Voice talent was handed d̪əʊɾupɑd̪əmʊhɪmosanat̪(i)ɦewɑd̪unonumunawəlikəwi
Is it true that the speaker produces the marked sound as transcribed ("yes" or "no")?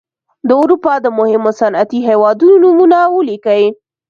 yes